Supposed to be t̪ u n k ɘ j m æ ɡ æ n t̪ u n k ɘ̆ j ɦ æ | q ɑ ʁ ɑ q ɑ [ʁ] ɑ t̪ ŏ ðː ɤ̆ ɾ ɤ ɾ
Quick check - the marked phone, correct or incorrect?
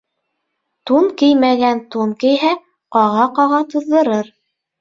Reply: correct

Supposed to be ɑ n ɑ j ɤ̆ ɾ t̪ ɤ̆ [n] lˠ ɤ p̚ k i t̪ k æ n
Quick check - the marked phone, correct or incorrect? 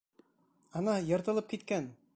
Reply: incorrect: none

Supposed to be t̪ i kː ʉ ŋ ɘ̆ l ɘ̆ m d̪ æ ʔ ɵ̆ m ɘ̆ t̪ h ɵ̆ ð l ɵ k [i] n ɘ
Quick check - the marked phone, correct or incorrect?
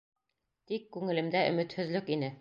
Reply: correct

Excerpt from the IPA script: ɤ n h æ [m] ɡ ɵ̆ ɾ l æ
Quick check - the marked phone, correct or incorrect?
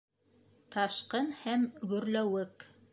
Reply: correct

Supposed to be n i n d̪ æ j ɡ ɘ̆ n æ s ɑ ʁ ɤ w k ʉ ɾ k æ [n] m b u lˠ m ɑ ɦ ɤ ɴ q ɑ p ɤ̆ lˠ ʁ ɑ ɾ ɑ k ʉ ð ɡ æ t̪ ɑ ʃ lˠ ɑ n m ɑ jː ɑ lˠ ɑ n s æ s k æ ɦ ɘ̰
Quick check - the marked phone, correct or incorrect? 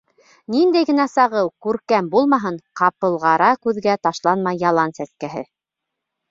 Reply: incorrect: none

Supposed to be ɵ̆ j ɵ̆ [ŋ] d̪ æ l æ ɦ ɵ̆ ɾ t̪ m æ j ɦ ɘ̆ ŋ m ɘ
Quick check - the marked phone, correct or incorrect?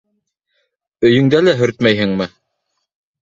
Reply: correct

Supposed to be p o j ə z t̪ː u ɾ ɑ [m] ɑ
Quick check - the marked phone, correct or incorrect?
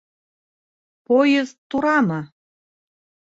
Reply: correct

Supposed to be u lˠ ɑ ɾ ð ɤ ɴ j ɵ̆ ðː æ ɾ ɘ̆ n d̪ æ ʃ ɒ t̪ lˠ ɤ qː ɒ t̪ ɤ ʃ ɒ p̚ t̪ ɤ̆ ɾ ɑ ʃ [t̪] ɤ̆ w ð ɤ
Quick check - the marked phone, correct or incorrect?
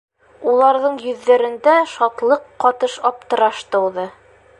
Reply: correct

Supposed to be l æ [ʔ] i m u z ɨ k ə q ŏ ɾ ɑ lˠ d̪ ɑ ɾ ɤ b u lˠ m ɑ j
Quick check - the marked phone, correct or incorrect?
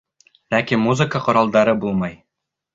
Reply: incorrect: k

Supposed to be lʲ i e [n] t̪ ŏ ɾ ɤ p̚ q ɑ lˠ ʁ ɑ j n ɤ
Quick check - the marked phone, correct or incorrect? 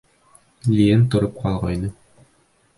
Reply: correct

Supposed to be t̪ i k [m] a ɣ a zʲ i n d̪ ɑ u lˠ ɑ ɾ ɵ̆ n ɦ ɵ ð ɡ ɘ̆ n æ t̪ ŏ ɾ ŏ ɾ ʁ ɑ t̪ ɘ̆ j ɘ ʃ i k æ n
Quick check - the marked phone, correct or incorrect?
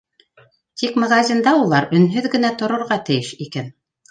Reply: correct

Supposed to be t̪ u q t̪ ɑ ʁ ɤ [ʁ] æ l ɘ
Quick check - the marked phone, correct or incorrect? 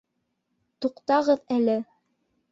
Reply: incorrect: ð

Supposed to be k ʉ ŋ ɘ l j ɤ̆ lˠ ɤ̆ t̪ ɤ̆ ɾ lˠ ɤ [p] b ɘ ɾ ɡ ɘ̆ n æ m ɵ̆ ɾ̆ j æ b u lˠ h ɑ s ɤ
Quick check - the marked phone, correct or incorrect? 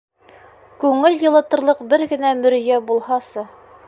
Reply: incorrect: q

